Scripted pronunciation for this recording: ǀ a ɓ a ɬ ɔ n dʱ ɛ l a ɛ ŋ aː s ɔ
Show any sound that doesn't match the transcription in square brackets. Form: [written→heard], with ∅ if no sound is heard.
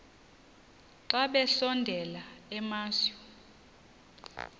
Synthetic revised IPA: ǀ a ɓ [a→ɛ] ɬ ɔ n dʱ ɛ l a ɛ [ŋ→m] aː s ɔ